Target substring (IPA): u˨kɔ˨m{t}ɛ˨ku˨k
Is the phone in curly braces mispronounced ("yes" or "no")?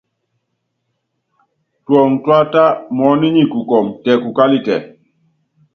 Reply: no